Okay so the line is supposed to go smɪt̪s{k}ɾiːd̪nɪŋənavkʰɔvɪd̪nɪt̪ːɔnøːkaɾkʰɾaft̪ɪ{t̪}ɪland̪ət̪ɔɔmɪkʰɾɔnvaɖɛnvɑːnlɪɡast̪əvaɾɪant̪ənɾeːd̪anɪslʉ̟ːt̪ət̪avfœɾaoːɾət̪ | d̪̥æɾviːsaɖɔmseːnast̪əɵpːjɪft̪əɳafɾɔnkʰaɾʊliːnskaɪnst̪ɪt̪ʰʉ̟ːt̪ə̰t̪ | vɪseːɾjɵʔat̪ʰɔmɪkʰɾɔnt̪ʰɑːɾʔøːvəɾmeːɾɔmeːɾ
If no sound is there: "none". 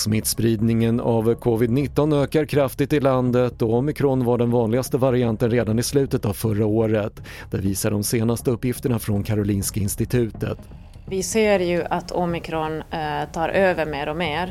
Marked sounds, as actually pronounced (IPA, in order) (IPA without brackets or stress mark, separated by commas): p, t̪